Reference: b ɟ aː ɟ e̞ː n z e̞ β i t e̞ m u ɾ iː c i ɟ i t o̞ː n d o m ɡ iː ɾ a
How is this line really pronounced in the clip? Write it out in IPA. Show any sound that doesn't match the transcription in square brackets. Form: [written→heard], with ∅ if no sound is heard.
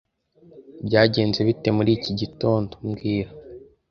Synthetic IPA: b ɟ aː ɟ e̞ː n z e̞ β i t e̞ m u ɾ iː c i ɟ i t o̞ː n d o m ɡ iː ɾ a

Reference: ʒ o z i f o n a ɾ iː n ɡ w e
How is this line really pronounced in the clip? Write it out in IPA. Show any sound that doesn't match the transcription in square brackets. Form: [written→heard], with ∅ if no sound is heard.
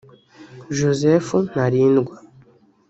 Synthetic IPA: ʒ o z [i→e] f [o→u] n a ɾ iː n ɡ w [e→a]

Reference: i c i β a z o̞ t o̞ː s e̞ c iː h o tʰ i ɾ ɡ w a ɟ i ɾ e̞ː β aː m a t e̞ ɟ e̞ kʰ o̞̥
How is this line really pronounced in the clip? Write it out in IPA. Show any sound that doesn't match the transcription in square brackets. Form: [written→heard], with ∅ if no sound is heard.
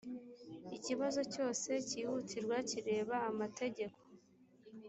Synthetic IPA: i c i β a z o̞ [t→c] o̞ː s e̞ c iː h [o→u] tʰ i ɾ ɡ w a [ɟ→c] i ɾ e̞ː β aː m a t e̞ ɟ e̞ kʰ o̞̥

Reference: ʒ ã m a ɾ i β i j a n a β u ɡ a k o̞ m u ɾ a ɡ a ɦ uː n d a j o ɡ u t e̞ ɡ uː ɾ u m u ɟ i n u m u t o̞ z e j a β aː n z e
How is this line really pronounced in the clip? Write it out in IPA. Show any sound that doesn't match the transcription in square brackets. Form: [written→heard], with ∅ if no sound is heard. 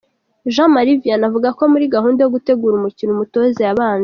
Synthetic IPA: ʒ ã m a ɾ i [β→v] i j a n a [β→v] u ɡ a k o̞ m u ɾ [a→i] ɡ a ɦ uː n d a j o ɡ u t e̞ ɡ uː ɾ u m u [ɟ→c] i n u m u t o̞ z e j a β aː n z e

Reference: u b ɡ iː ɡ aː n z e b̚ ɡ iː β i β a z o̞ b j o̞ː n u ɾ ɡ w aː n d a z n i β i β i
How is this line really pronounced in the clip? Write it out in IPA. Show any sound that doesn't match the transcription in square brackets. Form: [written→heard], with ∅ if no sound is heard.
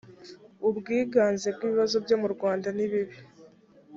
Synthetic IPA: u b ɡ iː ɡ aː n z e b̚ ɡ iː β i β a z o̞ b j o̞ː [n→m] u ɾ ɡ w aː n d a [z→∅] n i β i β i

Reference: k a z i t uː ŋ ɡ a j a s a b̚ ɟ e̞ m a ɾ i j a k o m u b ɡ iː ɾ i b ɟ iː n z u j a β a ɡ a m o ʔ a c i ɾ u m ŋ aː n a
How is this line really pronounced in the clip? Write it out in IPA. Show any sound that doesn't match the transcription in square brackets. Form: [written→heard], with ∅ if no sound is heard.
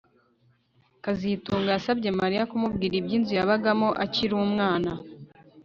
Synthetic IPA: k a z i t uː ŋ ɡ a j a s a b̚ ɟ e̞ m a ɾ i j a k [o→u] m u b ɡ iː ɾ i b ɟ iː n z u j a β a ɡ a m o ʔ a c i ɾ u m ŋ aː n a

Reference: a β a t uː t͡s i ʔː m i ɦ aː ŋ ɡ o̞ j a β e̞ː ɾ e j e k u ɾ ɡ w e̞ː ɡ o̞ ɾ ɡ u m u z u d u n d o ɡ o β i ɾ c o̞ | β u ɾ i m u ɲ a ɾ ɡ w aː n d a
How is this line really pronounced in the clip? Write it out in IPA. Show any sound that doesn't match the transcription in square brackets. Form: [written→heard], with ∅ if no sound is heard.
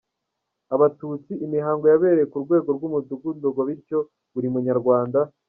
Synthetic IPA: a β a t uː t͡s i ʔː m i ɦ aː ŋ ɡ o̞ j a β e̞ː ɾ e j e k u ɾ ɡ w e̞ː ɡ o̞ ɾ ɡ u m u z u [d→ɡ] u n d o ɡ o β i ɾ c o̞ | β u ɾ i m u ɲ a ɾ ɡ w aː n d a

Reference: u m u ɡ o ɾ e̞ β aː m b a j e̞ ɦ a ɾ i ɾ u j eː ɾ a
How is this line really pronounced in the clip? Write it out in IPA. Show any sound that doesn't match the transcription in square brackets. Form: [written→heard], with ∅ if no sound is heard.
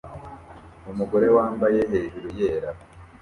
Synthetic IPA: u m u ɡ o ɾ e̞ [β→w] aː m b a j e̞ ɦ [a→e] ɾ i ɾ u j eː ɾ a

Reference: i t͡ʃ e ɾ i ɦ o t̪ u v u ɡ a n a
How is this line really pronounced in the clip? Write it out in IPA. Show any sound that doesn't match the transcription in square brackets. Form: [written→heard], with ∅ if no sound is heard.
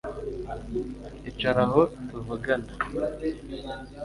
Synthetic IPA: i t͡ʃ [e→a] ɾ [i→a] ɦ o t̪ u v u ɡ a n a

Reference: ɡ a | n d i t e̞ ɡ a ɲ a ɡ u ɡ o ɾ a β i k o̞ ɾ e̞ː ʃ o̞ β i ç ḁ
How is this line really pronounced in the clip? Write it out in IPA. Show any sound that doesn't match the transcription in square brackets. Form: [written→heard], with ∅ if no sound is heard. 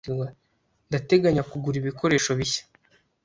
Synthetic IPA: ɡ a | n d [i→a] t e̞ ɡ a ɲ a [ɡ→k] u ɡ [o→u] ɾ [a→i] β i k o̞ ɾ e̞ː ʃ o̞ β i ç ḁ

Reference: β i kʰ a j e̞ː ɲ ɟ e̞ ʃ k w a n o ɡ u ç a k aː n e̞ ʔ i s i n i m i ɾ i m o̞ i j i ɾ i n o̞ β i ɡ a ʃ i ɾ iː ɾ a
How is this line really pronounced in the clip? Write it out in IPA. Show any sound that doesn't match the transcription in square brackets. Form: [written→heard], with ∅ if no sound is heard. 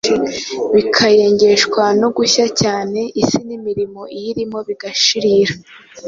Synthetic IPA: β i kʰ a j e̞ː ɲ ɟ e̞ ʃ k w a n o ɡ u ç a [k→c] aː n e̞ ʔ i s i n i m i ɾ i m o̞ i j i ɾ i [n→m] o̞ β i ɡ a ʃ i ɾ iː ɾ a

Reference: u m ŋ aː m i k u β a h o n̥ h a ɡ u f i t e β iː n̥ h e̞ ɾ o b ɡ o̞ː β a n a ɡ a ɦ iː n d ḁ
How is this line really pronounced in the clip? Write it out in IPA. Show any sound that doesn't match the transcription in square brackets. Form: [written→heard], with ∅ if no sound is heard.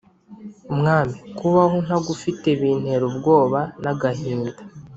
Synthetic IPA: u m ŋ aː m i k u β a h o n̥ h a ɡ u f i t e β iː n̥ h e̞ ɾ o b ɡ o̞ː β a n a ɡ a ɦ iː n d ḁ

